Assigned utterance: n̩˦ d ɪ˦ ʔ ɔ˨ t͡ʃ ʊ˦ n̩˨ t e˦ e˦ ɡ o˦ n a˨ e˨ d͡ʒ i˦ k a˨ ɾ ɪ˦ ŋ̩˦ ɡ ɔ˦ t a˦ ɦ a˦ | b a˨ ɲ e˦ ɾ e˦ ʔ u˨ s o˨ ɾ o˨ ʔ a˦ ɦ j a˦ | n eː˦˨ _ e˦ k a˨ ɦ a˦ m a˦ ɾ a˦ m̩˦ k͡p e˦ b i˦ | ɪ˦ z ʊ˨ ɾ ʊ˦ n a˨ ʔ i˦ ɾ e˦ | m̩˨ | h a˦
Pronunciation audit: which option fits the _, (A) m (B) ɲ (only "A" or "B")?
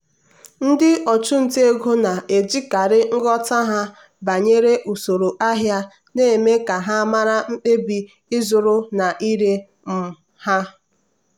A